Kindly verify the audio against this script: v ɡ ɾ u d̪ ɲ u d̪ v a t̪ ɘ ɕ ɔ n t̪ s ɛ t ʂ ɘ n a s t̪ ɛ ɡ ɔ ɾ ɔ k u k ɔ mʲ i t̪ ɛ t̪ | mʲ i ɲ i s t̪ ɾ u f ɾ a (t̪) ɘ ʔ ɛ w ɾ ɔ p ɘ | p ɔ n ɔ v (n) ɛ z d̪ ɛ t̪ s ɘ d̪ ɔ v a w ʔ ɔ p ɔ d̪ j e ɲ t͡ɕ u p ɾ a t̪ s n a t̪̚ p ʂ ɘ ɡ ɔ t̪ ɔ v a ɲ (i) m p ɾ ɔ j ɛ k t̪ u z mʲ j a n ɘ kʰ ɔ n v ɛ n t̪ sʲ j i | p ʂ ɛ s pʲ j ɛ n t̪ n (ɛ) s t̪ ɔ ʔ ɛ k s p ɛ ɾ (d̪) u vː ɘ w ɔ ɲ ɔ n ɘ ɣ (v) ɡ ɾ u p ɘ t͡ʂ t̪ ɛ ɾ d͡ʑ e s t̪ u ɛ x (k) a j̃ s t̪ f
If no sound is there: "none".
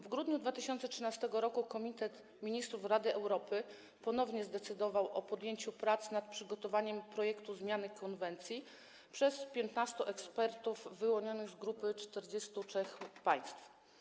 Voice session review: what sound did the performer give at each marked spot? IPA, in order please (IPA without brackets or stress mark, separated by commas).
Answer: d̪, ɲ, ɛ, a, t̪, z, p